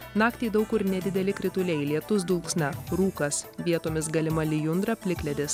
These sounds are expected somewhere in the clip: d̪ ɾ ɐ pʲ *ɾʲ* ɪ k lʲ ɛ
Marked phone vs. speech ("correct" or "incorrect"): incorrect